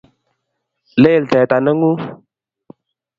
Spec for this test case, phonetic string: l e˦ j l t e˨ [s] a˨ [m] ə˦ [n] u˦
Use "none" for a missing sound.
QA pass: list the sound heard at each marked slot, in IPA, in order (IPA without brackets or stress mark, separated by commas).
t, n, ŋ